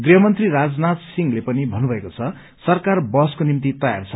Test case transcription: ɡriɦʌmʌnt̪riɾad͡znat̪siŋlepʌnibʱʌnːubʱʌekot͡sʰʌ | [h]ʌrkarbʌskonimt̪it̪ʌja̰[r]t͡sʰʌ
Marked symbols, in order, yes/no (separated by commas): no, yes